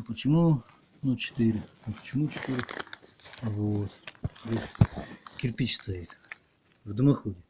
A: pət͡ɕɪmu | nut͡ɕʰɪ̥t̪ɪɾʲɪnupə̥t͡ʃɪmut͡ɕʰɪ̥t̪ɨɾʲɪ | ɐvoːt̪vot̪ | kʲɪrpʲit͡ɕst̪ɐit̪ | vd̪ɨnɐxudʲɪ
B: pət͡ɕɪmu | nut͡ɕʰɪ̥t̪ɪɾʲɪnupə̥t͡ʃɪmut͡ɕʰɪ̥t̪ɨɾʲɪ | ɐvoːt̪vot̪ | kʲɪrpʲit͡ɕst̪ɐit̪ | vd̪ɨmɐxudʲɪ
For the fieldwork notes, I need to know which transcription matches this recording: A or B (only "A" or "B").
B